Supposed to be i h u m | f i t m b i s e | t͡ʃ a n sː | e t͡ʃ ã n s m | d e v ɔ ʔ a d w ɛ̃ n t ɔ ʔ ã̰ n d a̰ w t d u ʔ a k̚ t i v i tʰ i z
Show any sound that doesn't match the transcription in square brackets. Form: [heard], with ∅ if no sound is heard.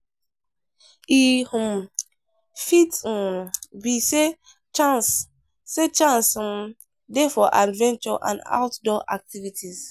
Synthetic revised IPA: i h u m | f i t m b i s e | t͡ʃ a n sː | e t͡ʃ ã n s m | d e [f] ɔ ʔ a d [v] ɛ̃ n [t͡ʃ] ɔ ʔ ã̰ n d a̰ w t d [ɔ] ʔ a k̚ t i v i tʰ i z